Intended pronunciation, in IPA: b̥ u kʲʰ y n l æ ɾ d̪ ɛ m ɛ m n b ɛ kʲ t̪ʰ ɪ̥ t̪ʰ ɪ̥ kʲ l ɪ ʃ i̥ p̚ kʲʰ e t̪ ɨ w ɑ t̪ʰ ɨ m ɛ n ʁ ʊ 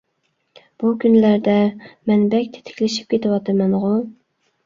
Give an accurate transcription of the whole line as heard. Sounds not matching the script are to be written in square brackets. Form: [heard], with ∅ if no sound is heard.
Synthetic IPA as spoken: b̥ u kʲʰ y n l æ ɾ d̪ ɛ m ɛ [∅] n b ɛ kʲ t̪ʰ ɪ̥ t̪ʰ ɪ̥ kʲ l ɪ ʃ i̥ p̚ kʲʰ e t̪ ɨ w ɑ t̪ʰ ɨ m ɛ n ʁ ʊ